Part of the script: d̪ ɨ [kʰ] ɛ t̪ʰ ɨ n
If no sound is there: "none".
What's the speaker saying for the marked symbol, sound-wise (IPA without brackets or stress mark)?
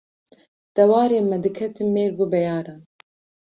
kʰ